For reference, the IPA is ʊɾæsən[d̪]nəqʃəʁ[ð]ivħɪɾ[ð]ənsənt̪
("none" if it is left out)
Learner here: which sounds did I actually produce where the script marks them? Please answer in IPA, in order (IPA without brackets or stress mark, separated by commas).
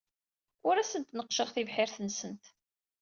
t̪, θ, θ